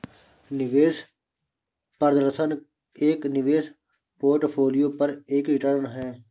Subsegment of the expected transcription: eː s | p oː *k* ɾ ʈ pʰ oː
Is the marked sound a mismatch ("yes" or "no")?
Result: yes